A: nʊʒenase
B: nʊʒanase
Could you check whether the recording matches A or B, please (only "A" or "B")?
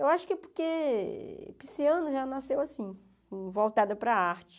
B